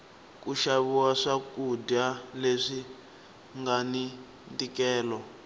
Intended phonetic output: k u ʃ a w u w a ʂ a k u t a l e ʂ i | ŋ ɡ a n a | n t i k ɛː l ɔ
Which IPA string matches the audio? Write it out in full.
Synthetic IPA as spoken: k u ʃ a β u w a ʂ a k u d a l e ʂ i | ŋ ɡ a n i | n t i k ɛː l ɔ

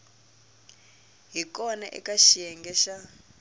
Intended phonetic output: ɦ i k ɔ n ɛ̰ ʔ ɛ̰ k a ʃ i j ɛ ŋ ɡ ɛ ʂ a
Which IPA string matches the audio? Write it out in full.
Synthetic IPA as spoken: ɦ i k ɔ n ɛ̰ ʔ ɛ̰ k a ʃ i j ɛ ŋ ɡ ɛ ʃ a

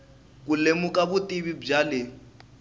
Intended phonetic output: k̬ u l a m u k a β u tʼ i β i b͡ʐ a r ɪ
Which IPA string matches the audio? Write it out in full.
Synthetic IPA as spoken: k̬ u l e m u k a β u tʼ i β i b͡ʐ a l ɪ

